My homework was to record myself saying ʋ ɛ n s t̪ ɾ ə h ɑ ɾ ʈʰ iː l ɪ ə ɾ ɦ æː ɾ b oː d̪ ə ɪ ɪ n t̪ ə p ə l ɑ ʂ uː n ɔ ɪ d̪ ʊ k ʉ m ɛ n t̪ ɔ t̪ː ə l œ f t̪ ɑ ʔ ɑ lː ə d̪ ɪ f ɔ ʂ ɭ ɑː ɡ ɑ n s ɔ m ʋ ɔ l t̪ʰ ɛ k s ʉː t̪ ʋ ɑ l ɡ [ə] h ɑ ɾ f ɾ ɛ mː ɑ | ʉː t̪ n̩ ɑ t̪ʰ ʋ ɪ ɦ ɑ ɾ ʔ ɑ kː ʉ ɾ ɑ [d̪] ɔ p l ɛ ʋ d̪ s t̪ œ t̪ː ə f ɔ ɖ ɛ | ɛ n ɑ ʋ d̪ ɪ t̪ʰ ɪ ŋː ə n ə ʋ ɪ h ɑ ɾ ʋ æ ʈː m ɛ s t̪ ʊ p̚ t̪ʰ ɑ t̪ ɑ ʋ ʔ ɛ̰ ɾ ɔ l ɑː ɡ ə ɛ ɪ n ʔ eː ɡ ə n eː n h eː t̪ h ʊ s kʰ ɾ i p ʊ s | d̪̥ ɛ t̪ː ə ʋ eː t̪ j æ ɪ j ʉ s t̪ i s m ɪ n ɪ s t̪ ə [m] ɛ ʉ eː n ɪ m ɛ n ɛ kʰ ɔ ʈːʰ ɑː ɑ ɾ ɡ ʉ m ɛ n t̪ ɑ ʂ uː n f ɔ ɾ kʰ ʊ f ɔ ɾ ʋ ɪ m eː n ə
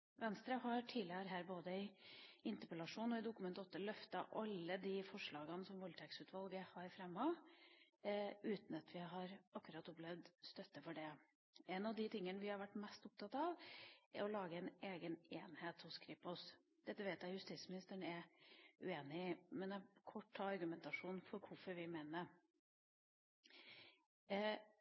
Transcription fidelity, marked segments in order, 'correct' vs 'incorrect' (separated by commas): correct, incorrect, incorrect